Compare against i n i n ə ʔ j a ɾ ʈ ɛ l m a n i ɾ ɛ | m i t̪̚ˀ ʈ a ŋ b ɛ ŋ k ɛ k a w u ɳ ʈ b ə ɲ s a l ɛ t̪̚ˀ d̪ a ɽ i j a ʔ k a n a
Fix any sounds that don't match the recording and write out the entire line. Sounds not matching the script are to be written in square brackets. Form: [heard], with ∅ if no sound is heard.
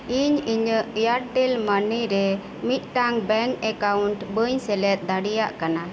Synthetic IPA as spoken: i [ɲ] i [ɲ] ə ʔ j a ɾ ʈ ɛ l m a n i ɾ ɛ | m i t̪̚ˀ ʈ a ŋ b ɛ ŋ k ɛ k a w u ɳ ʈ b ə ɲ s [ɛ] l ɛ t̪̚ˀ d̪ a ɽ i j a ʔ k a n a

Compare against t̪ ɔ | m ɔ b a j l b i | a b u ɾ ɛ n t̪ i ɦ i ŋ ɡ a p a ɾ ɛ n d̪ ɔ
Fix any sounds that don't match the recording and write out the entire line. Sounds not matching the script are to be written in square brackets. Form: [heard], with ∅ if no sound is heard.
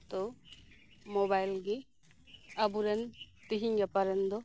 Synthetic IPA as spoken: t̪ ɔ | m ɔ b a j l [ɡ] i | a b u ɾ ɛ n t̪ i ɦ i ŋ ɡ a p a ɾ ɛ n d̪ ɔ

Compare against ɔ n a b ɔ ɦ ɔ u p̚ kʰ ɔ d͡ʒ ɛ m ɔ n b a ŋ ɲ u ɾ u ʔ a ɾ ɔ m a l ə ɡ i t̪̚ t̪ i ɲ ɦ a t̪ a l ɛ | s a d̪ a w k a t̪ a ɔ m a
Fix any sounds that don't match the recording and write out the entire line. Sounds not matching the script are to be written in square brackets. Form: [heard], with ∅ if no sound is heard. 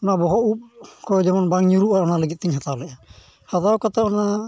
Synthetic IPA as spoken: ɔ n a b ɔ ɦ ɔ u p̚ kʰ ɔ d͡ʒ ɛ m ɔ n b a ŋ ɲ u ɾ u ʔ a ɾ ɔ [n] a l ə ɡ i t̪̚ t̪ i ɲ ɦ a t̪ a l ɛ | [h] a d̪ a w k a t̪ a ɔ [n] a

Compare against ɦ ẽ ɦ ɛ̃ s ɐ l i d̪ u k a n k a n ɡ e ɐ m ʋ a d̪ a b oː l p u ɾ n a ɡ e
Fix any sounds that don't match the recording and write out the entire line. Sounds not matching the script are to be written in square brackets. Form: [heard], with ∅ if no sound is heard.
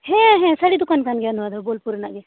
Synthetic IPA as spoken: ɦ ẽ ɦ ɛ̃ s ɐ [ɽ] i d̪ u k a n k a n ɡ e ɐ [n] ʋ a d̪ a b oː l p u ɾ n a ɡ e

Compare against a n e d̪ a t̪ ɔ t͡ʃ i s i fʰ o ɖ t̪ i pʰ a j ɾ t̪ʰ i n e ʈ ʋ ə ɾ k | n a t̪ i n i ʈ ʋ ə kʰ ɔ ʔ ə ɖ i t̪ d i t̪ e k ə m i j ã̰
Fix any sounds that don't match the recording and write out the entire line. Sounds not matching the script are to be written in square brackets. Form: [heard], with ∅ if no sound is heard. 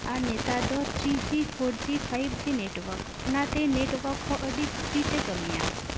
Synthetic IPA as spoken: a n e [t̪] a [d̪] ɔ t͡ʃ i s i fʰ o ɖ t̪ i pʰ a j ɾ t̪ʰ i n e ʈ ʋ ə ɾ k | n a t̪ [e] n [e] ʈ ʋ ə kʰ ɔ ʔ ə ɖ i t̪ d i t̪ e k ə m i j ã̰

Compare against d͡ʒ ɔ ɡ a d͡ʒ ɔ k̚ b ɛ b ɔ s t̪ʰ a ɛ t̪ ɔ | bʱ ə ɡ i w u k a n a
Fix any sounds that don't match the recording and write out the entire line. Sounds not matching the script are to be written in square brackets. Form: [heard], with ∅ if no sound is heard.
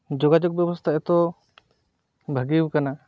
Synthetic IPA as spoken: d͡ʒ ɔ ɡ a d͡ʒ ɔ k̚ b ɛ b ɔ s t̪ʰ a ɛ t̪ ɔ | bʱ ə ɡ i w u k a n a

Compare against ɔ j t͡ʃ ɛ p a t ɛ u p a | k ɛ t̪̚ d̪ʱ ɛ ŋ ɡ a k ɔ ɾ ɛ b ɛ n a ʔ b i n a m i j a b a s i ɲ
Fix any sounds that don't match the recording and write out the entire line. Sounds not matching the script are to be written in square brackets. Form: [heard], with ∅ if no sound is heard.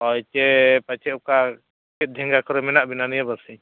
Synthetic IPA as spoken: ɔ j t͡ʃ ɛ p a [t͡ʃ] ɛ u [k] a | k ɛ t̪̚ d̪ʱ ɛ ŋ ɡ a k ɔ ɾ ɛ [m] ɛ n a ʔ b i n a [n] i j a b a s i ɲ

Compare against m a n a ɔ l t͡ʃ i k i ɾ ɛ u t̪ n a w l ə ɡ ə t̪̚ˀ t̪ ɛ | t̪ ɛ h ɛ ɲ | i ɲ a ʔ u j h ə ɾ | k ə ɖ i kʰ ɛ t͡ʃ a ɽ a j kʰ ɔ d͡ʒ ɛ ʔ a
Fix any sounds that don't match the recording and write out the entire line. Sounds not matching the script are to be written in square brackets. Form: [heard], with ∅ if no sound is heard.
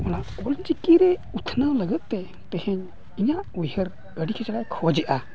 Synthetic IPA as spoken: m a n a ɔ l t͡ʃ i k i ɾ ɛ u [t̪ʰ] n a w l ə ɡ ə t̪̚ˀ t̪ ɛ | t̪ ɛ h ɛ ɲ | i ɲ a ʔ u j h ə ɾ | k ə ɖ i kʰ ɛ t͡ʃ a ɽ a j kʰ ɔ d͡ʒ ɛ ʔ a

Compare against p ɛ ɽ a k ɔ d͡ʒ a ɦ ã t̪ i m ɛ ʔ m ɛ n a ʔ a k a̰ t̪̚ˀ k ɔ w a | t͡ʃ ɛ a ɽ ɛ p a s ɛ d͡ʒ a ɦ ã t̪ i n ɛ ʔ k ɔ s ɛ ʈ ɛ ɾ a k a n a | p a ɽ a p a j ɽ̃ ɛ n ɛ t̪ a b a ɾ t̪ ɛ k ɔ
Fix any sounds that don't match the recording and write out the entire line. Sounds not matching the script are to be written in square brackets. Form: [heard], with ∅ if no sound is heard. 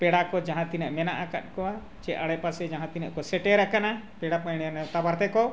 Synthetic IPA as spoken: p ɛ ɽ a k ɔ d͡ʒ a ɦ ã t̪ i [n] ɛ ʔ m ɛ n a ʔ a k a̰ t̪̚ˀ k ɔ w a | t͡ʃ ɛ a ɽ ɛ p a s ɛ d͡ʒ a ɦ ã t̪ i n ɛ ʔ k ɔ s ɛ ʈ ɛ ɾ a k a n a | p [ɛ] ɽ a p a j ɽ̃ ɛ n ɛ t̪ a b a ɾ t̪ ɛ k ɔ

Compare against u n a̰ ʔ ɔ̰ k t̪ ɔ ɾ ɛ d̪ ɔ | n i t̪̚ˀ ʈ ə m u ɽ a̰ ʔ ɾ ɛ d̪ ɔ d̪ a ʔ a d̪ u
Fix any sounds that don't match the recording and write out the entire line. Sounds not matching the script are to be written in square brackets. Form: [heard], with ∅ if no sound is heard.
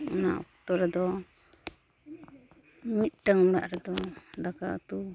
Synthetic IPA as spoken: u n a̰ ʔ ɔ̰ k t̪ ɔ ɾ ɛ d̪ ɔ | [m] i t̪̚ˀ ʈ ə [ŋ] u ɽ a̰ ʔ ɾ ɛ d̪ ɔ d̪ a [k] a [t̪] u

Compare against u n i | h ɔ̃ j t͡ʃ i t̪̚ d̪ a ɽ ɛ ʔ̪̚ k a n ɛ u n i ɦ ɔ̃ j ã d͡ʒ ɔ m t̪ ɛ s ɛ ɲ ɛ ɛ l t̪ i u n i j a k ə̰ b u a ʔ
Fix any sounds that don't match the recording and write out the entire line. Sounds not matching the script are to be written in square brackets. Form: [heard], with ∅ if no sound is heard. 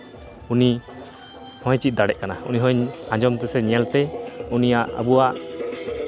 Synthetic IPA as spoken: u n i | h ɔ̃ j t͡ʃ i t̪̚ d̪ a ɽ ɛ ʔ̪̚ k a n [a] u n i ɦ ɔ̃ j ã d͡ʒ ɔ m t̪ ɛ s ɛ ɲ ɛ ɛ l t̪ [ɛ] u n i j a [ʔ] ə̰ b u a ʔ

